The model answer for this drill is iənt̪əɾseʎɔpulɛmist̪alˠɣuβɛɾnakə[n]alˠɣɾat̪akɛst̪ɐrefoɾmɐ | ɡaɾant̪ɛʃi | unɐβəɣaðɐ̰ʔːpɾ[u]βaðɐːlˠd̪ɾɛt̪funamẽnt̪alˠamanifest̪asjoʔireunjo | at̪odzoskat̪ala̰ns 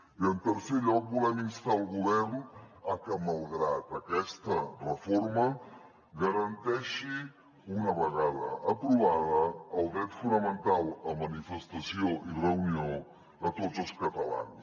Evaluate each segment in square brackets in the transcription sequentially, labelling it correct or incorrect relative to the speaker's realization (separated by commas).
incorrect, correct